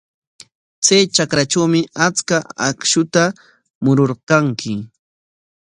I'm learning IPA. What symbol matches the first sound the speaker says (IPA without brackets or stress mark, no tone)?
t͡s